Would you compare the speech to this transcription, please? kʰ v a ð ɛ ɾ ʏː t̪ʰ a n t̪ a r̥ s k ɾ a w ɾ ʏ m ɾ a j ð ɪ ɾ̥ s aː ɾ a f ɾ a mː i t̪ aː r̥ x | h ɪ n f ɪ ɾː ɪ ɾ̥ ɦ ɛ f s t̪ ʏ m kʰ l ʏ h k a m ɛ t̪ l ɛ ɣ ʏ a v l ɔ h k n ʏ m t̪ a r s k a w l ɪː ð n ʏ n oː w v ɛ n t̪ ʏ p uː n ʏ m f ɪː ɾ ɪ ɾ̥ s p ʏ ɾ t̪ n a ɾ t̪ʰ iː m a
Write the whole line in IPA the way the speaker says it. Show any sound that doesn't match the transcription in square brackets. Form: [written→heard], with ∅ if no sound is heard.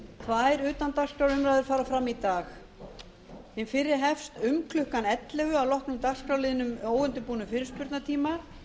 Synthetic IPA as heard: kʰ v a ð ɛ ɾ ʏː [t̪ʰ→t̪] a n t̪ a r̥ s k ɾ a w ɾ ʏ m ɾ a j ð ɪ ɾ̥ [s→f] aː ɾ a f ɾ a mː i t̪ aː [r̥→∅] x | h ɪ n f ɪ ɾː ɪ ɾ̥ ɦ ɛ f s t̪ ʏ m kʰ l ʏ h k a [m→n] ɛ t̪ l ɛ ɣ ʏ a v l ɔ h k n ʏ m t̪ a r s k a w l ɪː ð n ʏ [n→m] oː w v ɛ n t̪ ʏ p uː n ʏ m f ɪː ɾ ɪ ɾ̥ s p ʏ ɾ t̪ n a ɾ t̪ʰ iː m a